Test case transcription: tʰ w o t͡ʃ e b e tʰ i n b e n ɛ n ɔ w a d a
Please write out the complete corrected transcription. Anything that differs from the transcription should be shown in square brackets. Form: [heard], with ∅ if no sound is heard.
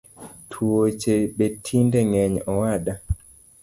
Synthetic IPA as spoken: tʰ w o t͡ʃ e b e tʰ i n [d] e [ŋ] ɛ [ɲ] ɔ w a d a